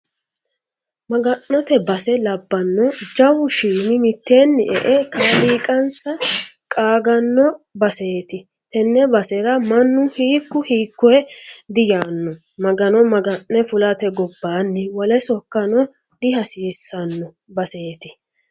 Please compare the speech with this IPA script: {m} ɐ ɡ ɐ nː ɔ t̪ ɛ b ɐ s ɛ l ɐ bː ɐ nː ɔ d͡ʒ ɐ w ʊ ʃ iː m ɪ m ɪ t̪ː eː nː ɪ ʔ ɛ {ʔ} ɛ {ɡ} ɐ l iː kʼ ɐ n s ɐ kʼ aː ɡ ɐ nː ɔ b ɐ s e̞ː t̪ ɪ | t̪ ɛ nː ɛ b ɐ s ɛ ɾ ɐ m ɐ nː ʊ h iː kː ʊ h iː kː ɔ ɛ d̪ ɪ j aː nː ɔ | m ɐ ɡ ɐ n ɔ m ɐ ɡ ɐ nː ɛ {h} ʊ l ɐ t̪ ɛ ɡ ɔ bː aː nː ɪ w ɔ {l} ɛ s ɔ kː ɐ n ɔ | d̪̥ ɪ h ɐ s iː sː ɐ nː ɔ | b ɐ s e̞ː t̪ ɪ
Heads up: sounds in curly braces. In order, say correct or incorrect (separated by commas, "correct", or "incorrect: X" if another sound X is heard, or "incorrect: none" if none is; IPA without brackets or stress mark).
correct, correct, incorrect: k, incorrect: f, correct